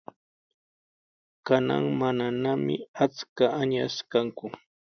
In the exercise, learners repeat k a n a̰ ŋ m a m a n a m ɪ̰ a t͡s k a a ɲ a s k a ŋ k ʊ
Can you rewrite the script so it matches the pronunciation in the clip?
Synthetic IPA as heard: k a n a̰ ŋ m a n a n a m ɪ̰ a t͡s k a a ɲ a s k a ŋ k ʊ